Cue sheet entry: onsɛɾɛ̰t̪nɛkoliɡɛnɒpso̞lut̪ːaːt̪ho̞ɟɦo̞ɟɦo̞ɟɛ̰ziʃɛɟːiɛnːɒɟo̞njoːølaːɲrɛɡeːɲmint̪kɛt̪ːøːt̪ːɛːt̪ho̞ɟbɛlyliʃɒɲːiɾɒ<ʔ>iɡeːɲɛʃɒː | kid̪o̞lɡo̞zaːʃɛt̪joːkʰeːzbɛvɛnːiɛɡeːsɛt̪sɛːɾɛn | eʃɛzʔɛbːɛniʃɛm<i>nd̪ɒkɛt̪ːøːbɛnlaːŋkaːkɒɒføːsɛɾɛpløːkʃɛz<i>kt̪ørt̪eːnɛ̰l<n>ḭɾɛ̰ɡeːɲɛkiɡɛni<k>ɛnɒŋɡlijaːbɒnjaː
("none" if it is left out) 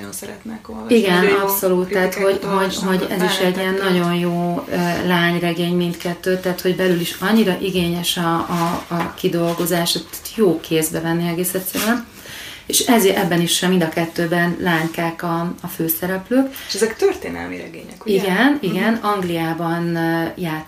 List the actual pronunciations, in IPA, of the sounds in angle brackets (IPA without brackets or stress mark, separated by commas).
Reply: ʔ, i, ɛ, m, ɡ